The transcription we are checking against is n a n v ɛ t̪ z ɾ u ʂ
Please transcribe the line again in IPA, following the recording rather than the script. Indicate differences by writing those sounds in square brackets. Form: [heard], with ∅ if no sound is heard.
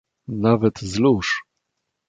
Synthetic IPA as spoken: n a [∅] v ɛ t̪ z [l] u ʂ